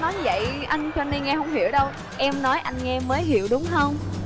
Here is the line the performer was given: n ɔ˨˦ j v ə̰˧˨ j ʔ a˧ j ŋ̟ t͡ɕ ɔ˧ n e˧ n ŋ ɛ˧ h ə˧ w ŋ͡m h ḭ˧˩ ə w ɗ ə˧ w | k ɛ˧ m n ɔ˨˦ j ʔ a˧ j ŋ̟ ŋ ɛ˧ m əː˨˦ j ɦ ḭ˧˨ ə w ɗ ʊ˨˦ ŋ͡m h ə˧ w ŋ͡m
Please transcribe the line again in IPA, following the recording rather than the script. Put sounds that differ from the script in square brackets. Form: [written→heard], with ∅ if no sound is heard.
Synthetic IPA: n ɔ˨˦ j v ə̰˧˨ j ʔ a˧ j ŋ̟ t͡ɕ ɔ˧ n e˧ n ŋ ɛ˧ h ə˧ w ŋ͡m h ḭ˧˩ ə w ɗ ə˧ w | [k→ʔ] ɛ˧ m n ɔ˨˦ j ʔ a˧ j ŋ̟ ŋ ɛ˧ m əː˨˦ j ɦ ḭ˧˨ ə w ɗ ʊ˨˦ ŋ͡m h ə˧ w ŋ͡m